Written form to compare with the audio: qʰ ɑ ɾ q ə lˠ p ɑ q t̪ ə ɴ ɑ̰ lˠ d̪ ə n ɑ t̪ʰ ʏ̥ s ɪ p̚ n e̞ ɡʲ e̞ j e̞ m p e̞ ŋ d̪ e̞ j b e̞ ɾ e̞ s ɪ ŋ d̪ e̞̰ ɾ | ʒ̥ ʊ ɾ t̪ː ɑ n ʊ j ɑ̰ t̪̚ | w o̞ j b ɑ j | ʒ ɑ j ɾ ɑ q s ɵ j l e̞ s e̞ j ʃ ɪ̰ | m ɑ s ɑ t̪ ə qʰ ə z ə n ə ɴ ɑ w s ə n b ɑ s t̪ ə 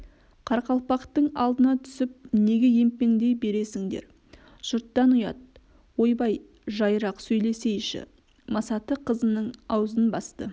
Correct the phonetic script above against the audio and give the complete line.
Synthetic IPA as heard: qʰ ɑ ɾ q ɑ lˠ p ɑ q t̪ ə ɴ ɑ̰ lˠ d̪ ə n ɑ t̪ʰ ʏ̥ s ɪ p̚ n e̞ ɡʲ e̞ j e̞ m p e̞ ŋ d̪ e̞ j b e̞ ɾ e̞ s ɪ ŋ d̪ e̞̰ ɾ | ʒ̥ ʊ ɾ t̪ː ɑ n ʊ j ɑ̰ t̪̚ | w o̞ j b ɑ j | ʒ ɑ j ɾ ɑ q s ɵ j l e̞ s e̞ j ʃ ɪ̰ | m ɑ s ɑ t̪ ə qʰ ə z ə n ə ɴ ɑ w z ə n b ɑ s t̪ ə

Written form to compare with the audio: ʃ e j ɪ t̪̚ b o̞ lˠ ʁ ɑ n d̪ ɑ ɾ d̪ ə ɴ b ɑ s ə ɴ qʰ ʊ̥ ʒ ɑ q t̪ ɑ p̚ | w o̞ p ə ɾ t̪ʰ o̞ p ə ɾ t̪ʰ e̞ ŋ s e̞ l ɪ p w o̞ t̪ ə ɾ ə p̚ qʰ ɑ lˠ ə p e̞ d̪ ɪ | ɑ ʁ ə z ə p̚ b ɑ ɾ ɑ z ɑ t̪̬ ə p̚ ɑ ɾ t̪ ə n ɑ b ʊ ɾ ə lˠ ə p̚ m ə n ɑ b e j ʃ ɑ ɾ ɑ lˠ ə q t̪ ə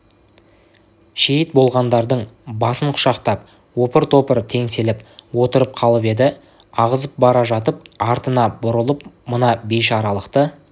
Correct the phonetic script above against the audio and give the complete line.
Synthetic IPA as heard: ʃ e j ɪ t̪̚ b o̞ lˠ ʁ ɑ n d̪ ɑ ɾ d̪ ə ɴ b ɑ s ə ɴ qʰ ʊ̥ ʃ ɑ q t̪ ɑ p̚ | w o̞ p ə ɾ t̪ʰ o̞ p ə ɾ t̪ʰ e̞ ŋ s e̞ l ɪ p w o̞ t̪ ə ɾ ə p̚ qʰ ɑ lˠ ə p e̞ d̪ ɪ | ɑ ʁ ə z ə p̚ b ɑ ɾ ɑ ʒ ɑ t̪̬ ə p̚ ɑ ɾ t̪ ə n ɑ b ʊ ɾ ə lˠ ə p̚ m ə n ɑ b e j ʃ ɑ ɾ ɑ lˠ ə q t̪ ə

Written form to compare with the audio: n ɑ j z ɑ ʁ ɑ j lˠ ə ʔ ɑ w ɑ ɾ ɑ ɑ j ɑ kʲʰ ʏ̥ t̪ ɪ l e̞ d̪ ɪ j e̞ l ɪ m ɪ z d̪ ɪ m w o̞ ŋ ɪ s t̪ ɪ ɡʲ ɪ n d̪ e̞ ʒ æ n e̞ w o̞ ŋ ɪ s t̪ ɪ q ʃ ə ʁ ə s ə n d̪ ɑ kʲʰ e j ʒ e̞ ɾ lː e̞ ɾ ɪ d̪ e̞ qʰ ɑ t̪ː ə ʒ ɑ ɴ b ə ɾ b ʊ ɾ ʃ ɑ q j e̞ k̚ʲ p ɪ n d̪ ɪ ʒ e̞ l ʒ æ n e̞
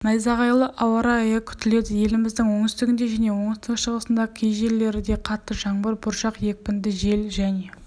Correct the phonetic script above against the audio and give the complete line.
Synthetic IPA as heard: n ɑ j z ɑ ʁ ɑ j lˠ ə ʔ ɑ w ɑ ɾ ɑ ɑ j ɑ kʲʰ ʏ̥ t̪ ɪ l e̞ d̪ ɪ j e̞ l ɪ m ɪ z d̪ ɪ ŋ w o̞ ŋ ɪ s t̪ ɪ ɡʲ ɪ n d̪ e̞ ʒ æ n e̞ w o̞ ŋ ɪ s t̪ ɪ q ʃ ə ʁ ə s ə n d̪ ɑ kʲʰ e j ʒ e̞ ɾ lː e̞ ɾ ɪ d̪ e̞ qʰ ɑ t̪ː ə ʒ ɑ ɴ b ə ɾ b ʊ ɾ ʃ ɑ q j e̞ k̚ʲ p ɪ n d̪ ɪ ʒ e̞ l ʒ æ n e̞

